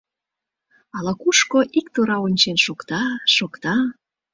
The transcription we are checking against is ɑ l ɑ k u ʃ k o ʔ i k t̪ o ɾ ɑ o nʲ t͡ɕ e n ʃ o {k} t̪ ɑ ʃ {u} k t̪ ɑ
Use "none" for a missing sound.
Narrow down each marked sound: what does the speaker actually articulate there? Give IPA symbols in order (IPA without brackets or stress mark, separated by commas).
k, o